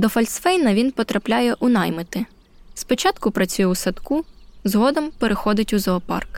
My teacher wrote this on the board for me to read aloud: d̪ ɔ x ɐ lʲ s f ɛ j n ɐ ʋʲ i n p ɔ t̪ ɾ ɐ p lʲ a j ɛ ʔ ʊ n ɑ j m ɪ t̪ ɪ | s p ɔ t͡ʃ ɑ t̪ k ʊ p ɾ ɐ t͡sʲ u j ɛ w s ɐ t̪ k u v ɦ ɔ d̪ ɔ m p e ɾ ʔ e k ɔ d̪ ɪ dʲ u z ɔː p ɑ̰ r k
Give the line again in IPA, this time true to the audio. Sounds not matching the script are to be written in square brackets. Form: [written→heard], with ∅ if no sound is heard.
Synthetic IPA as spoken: d̪ ɔ [x→f] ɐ lʲ s f ɛ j n ɐ ʋʲ i n p ɔ t̪ ɾ ɐ p lʲ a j ɛ ʔ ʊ n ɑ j m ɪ t̪ ɪ | s p ɔ t͡ʃ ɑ t̪ k ʊ p ɾ ɐ t͡sʲ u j ɛ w s ɐ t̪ k u [v→z] ɦ ɔ d̪ ɔ m p e ɾ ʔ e [k→x] ɔ d̪ ɪ [dʲ→tʲ] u z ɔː p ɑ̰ r k